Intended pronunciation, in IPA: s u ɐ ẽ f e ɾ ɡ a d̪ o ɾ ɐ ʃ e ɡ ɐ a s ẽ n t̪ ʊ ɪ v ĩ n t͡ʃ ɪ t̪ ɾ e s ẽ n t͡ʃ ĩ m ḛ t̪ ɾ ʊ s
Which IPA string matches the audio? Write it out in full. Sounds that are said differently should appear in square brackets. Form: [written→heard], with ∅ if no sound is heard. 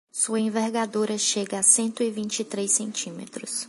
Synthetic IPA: s u ɐ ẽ [f→v] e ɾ ɡ a d̪ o ɾ ɐ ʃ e ɡ ɐ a s ẽ n t̪ ʊ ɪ v ĩ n t͡ʃ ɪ t̪ ɾ e s ẽ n t͡ʃ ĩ m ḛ t̪ ɾ ʊ s